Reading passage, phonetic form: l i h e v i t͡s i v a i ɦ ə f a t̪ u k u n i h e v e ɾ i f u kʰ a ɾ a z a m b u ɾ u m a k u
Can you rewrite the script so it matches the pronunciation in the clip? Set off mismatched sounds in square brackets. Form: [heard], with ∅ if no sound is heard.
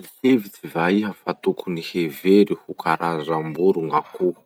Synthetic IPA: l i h e v i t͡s i v a i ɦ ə f a t̪ u k u n i h e v e ɾ i [h] u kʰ a ɾ a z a m b u ɾ u [ŋ] a k u